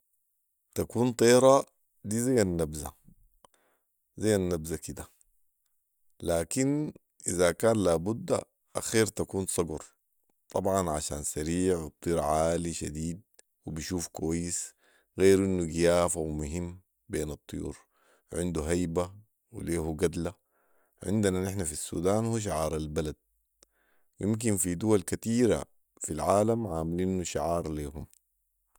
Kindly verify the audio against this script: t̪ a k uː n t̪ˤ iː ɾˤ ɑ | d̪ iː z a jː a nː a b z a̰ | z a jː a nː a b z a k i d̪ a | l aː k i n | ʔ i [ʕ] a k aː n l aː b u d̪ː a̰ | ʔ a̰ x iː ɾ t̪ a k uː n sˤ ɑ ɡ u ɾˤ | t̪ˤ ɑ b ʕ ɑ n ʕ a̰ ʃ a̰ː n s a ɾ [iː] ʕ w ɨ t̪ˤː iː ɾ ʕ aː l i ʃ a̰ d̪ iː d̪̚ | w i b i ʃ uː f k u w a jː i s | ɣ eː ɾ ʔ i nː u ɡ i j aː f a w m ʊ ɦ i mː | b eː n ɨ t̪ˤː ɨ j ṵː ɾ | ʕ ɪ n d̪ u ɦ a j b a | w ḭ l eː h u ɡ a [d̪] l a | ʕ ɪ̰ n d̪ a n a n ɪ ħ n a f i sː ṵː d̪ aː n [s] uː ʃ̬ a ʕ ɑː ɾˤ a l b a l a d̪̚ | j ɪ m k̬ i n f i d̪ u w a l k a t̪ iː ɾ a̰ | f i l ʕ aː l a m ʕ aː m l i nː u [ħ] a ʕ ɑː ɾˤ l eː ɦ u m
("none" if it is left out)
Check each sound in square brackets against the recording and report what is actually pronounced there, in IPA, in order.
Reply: z, iː, d̪, h, ʃ

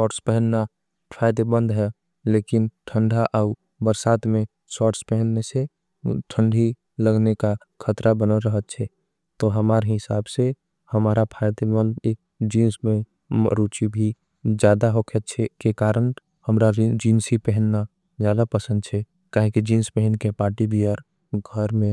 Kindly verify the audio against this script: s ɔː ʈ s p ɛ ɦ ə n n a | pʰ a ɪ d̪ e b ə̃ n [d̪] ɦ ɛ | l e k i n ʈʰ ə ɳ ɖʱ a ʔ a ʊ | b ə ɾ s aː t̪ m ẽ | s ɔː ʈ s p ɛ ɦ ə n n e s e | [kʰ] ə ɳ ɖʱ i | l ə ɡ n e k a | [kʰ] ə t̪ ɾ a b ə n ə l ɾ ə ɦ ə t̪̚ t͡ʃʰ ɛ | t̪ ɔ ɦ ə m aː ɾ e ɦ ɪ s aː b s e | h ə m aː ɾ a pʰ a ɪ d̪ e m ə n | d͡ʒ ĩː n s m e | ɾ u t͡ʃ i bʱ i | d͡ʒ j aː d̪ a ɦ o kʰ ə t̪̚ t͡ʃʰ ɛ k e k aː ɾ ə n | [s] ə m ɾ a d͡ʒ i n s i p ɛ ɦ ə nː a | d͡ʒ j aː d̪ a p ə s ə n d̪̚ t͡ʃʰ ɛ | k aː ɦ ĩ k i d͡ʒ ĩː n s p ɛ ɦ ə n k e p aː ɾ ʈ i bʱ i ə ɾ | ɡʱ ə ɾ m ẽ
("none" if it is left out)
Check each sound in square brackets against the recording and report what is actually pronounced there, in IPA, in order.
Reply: d̪, ʈʰ, kʰ, h

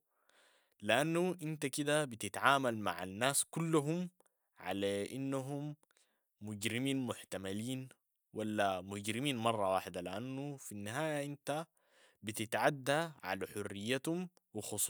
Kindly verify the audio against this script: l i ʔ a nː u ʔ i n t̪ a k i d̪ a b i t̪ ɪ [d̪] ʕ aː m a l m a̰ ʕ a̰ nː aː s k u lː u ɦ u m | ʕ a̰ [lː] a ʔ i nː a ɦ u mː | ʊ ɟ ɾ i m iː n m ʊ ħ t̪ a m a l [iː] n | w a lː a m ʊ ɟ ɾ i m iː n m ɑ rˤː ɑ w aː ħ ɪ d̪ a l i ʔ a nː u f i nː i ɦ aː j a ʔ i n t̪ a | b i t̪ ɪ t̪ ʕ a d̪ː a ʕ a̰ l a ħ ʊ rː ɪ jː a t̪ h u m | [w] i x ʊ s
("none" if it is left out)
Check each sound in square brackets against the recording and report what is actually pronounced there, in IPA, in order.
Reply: t̪, l, iː, w

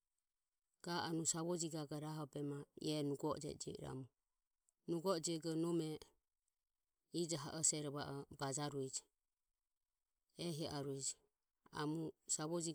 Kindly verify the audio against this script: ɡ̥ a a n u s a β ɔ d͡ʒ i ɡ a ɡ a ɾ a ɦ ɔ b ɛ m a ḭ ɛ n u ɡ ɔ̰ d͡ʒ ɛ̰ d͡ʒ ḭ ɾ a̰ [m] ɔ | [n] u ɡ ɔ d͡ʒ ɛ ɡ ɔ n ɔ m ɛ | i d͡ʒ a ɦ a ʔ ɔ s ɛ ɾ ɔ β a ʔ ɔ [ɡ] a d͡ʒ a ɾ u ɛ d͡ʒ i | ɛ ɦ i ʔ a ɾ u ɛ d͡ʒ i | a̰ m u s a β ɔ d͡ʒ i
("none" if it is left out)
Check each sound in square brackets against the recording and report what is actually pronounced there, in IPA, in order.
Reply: m, n, b

